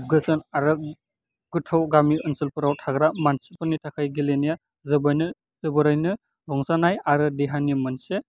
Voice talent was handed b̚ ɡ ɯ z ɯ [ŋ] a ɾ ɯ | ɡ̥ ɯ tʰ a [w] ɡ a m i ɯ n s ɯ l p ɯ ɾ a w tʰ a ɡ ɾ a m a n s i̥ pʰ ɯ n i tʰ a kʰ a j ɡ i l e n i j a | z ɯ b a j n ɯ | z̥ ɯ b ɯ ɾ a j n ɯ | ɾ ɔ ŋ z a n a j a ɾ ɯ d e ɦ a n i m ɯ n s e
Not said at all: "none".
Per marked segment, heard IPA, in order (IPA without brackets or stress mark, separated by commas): n, w